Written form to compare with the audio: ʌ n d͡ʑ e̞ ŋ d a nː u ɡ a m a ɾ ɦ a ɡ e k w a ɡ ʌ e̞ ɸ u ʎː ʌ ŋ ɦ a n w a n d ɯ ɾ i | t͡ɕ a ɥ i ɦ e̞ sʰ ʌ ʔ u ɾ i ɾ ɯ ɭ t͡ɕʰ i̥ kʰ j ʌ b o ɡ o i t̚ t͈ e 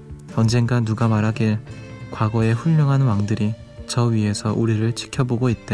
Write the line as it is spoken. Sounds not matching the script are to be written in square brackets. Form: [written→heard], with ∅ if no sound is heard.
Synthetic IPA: ʌ n d͡ʑ e̞ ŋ [d→ɡ] a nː u ɡ a m a ɾ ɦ a ɡ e k w a ɡ ʌ e̞ ɸ u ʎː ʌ ŋ ɦ a n w a [n→ŋ] d ɯ ɾ i | t͡ɕ [a→ʌ] ɥ i ɦ e̞ sʰ ʌ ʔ u ɾ i ɾ ɯ ɭ t͡ɕʰ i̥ kʰ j ʌ b o ɡ o i t̚ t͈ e